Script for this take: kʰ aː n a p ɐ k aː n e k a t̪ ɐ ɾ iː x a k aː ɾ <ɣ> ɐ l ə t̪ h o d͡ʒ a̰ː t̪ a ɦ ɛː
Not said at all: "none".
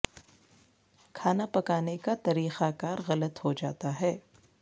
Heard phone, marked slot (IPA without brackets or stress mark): ɣ